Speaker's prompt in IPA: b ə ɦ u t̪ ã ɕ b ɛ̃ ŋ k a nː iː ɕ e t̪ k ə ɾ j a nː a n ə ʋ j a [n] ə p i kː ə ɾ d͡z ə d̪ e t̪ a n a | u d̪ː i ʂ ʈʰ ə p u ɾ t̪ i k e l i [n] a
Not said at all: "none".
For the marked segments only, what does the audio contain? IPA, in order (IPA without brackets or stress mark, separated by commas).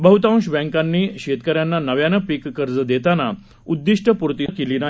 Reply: n, n